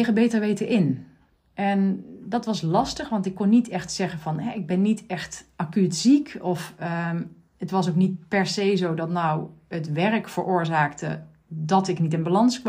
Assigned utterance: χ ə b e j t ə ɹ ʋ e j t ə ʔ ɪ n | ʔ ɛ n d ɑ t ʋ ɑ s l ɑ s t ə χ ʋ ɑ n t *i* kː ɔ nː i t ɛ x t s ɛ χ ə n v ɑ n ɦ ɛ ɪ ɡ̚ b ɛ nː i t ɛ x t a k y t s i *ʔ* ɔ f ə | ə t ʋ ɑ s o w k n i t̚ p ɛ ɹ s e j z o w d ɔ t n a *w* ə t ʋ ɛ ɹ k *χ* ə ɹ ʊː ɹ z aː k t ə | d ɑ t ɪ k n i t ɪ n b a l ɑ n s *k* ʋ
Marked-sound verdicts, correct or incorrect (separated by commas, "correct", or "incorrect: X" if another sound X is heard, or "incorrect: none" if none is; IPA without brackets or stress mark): incorrect: ɪ, incorrect: k, correct, incorrect: f, correct